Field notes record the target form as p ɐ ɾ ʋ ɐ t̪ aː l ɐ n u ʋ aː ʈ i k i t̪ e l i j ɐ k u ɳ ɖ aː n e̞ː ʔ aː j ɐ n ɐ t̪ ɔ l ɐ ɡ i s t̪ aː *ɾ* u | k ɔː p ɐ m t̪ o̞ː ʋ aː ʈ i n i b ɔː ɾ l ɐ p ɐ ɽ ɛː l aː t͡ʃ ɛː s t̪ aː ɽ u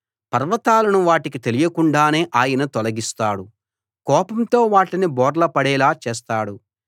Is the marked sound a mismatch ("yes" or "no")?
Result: yes